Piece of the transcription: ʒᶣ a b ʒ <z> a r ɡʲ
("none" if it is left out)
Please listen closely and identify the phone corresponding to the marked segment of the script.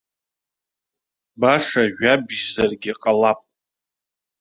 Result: z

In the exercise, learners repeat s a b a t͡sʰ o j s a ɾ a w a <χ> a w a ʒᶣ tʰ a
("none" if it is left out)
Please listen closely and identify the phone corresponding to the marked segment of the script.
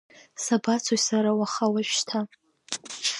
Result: χ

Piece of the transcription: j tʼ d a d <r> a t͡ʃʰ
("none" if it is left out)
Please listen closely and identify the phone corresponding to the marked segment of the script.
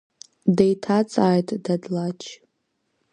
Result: l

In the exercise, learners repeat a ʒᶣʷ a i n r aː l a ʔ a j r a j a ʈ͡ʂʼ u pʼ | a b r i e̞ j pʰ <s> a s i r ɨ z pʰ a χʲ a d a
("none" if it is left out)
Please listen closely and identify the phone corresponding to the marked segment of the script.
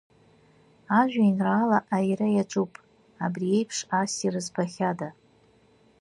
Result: ʂ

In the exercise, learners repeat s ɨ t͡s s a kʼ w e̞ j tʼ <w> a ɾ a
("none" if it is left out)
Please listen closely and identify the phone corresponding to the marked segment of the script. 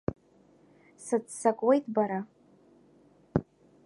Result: b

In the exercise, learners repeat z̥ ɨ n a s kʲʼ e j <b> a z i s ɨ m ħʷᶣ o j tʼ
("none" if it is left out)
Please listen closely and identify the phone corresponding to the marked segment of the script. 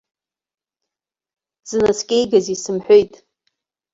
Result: ɡ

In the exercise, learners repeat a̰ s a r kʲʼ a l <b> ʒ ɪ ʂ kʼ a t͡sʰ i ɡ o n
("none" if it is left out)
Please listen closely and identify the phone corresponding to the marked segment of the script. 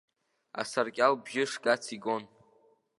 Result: b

